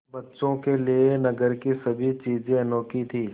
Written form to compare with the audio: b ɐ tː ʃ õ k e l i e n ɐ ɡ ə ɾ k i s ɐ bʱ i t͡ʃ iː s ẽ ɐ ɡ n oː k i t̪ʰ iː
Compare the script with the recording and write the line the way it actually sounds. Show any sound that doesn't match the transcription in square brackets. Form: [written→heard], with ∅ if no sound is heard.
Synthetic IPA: b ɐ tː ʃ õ k e l i e n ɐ ɡ ə ɾ k i s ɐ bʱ i t͡ʃ iː [s→z] ẽ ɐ [ɡ→∅] n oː k i t̪ʰ iː